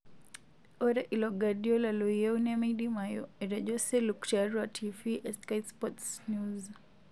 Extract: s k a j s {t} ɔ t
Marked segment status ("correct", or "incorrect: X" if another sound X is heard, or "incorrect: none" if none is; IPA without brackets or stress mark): incorrect: p